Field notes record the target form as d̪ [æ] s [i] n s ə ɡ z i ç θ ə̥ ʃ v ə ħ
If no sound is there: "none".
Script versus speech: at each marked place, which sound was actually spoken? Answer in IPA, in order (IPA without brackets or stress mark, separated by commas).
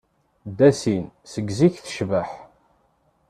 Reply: æ, i